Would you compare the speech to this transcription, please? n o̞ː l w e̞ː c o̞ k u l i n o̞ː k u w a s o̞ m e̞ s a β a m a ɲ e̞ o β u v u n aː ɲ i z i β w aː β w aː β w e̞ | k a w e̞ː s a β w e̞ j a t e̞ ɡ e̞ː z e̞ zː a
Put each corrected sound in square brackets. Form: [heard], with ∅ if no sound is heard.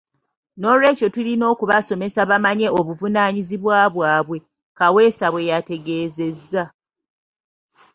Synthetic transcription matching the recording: n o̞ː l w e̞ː c o̞ [t] u l i n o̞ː k u [β] a s o̞ m e̞ s a β a m a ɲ e̞ o β u v u n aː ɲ i z i β w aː β w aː β w e̞ | k a w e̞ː s a β w e̞ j a t e̞ ɡ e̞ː z e̞ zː a